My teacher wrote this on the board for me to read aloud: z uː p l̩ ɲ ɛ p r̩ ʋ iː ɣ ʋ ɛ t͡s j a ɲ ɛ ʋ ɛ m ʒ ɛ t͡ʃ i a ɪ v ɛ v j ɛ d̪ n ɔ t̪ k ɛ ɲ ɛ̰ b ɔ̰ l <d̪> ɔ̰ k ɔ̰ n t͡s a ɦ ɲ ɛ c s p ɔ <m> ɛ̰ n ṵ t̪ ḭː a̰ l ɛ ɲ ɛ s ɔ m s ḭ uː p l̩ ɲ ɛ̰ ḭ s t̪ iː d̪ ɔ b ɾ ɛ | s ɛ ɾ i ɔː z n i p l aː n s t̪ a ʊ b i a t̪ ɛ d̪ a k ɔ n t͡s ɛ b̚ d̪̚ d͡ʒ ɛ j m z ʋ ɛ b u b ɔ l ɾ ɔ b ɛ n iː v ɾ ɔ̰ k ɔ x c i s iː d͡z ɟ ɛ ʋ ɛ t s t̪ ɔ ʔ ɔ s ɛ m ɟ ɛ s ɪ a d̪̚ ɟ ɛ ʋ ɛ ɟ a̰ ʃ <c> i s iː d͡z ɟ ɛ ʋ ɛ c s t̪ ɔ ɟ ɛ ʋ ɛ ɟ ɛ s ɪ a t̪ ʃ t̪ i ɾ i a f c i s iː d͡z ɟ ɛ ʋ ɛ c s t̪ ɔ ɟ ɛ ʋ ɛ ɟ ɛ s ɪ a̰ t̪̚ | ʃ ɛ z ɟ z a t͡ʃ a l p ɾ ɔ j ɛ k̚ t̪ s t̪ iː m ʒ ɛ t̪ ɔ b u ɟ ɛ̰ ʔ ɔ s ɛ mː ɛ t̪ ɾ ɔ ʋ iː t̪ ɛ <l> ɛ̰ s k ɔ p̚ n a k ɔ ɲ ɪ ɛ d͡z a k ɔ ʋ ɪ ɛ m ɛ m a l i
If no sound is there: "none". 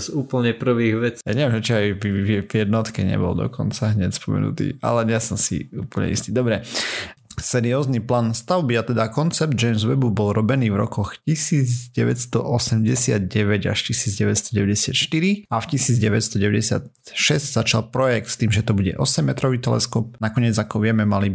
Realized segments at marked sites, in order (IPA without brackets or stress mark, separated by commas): d̪, m, c, l